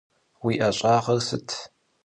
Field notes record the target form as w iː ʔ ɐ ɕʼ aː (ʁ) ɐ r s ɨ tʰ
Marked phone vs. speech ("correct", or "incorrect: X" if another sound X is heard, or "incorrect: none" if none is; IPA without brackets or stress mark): correct